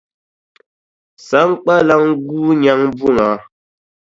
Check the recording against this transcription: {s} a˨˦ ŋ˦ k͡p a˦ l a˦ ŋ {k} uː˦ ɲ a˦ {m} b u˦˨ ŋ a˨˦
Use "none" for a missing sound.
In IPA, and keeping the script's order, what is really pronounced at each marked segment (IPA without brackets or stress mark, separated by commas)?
s, ɡ, ŋ